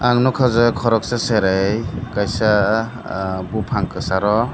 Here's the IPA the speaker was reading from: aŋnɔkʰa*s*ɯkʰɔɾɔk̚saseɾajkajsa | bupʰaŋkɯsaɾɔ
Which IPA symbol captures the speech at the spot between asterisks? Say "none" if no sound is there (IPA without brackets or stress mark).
z